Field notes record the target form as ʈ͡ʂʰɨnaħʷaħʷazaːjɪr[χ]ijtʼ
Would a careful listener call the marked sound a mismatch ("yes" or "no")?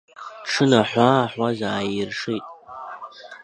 yes